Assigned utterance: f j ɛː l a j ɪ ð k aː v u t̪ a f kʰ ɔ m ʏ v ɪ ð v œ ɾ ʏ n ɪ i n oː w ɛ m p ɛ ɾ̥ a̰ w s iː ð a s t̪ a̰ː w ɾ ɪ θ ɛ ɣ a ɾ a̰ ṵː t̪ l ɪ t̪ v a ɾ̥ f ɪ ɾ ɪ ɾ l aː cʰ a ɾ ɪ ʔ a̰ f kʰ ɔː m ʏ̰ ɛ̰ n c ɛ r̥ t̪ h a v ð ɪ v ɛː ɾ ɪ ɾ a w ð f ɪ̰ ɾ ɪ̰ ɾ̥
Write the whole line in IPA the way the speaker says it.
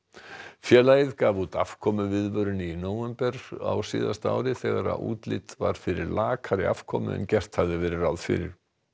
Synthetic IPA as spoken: f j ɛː l a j ɪ ð k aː v u t̪ a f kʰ ɔ m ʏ v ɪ ð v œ ɾ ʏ n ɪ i n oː w ɛ m p ɛ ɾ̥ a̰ w s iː ð a s t̪ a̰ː w ɾ ɪ θ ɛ ɣ a ɾ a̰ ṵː t̪ l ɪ t̪ v a ɾ̥ f ɪ ɾ ɪ ɾ l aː kʰ a ɾ ɪ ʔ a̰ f kʰ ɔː m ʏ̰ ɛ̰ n c ɛ r̥ t̪ h a v ð ɪ v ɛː ɾ ɪ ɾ a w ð f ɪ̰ ɾ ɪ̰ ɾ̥